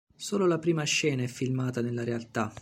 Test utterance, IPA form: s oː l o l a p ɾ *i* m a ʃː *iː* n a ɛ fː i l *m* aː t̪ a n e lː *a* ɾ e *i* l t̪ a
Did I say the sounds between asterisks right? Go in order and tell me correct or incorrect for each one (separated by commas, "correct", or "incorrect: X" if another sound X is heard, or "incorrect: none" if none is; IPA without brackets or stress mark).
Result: incorrect: iː, incorrect: ɛː, correct, correct, incorrect: a